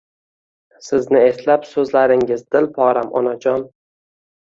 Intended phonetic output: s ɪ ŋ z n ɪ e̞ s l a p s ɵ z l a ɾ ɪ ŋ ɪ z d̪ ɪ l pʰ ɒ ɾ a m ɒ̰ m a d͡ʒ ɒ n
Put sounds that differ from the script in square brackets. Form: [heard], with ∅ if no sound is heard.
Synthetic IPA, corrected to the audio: s ɪ [∅] z n ɪ e̞ s l a p s ɵ z l a ɾ ɪ ŋ ɪ z d̪ ɪ l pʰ ɒ ɾ a m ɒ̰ [n] a d͡ʒ ɒ n